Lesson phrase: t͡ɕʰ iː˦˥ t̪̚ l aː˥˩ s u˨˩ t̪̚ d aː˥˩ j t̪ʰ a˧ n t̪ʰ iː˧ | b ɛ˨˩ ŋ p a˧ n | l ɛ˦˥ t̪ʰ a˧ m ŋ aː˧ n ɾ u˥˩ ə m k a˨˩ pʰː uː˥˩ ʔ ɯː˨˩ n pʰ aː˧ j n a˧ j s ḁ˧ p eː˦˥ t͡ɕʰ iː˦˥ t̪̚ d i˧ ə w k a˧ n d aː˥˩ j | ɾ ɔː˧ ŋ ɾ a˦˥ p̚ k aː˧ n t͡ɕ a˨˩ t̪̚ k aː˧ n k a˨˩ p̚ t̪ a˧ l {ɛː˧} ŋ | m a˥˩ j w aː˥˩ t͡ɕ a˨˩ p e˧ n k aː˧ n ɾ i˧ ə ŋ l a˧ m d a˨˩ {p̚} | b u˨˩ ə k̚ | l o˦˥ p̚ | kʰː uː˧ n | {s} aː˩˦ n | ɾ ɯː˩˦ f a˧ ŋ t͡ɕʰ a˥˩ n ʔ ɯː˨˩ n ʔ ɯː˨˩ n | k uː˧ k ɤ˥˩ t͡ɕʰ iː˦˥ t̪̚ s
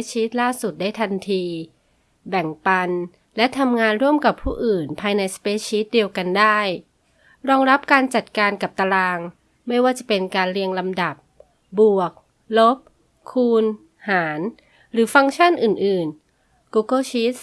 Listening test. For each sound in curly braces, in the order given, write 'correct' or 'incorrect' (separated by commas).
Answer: incorrect, correct, incorrect